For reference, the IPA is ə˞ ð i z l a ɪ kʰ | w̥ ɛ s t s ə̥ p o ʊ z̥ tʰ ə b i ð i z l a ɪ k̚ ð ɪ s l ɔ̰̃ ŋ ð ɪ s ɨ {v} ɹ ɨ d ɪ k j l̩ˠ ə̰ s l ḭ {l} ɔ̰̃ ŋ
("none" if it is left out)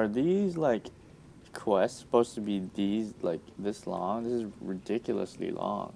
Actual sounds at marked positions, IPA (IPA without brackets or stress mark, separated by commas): z, l